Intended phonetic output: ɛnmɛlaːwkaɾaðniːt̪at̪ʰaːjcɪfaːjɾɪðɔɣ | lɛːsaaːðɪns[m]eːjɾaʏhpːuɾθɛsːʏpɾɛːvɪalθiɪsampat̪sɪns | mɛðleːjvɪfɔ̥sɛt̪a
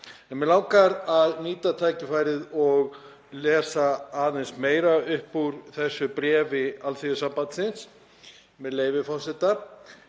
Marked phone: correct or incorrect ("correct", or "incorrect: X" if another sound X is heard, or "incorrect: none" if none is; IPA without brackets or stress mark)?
correct